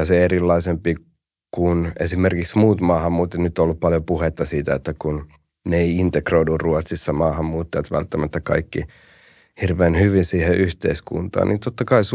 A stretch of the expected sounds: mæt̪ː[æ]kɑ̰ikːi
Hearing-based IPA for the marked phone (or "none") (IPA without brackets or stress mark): æ